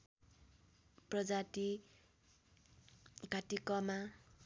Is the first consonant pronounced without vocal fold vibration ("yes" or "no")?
yes